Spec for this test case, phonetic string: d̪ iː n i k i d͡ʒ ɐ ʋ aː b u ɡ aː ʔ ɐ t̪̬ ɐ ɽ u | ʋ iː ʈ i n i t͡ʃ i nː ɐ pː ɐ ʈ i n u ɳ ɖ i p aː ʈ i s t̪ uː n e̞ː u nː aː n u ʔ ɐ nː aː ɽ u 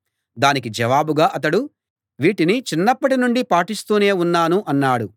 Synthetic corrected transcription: d̪ aː n i k i d͡ʒ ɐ ʋ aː b u ɡ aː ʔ ɐ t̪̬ ɐ ɽ u | ʋ iː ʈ i n i t͡ʃ i nː ɐ pː ɐ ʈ i n u ɳ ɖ i p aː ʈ i s t̪ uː n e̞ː u nː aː n u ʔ ɐ nː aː ɽ u

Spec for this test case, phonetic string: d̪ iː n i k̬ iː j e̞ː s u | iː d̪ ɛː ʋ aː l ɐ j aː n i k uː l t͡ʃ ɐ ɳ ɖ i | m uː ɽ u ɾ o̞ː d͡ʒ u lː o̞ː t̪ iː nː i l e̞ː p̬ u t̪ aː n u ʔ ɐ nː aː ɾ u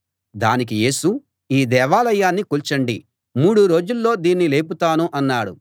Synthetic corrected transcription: d̪ aː n i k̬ i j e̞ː s u | iː d̪ ɛː ʋ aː l ɐ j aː nː i k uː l t͡ʃ ɐ ɳ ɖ i | m uː ɽ u ɾ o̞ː d͡ʒ u lː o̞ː d̪ iː nː i l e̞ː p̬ u t̪ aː n u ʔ ɐ nː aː ɽ u

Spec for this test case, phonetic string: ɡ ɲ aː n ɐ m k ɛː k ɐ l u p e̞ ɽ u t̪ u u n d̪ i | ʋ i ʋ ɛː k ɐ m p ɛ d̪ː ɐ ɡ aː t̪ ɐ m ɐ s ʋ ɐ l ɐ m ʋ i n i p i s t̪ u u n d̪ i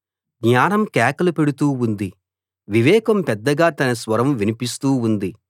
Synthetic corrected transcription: ɡ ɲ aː n ɐ m k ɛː k ɐ l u p e̞ ɽ u t̪ uː u n d̪ i | ʋ i ʋ ɛː k ɐ m p ɛ d̪ː ɐ ɡ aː t̪ ɐ n ɐ s ʋ ɐ ɾ ɐ m ʋ i n i p i s t̪ uː u n d̪ i

